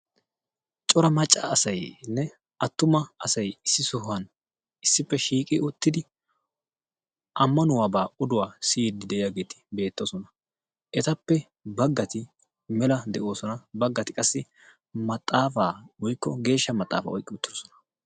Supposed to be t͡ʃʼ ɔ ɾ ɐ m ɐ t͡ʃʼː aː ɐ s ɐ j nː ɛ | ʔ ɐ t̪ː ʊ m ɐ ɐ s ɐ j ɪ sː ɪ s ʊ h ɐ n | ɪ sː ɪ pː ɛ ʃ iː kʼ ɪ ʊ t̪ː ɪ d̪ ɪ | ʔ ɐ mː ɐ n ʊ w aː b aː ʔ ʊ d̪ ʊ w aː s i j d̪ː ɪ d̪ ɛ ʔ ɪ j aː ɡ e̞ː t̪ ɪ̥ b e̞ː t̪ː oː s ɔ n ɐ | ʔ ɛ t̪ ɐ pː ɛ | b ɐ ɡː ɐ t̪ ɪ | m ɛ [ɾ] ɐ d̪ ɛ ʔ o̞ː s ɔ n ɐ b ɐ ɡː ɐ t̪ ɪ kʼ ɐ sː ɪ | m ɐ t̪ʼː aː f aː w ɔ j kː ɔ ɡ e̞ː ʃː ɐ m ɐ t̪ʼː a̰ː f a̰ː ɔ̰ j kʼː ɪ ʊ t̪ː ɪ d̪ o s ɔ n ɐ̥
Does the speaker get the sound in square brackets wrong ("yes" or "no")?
yes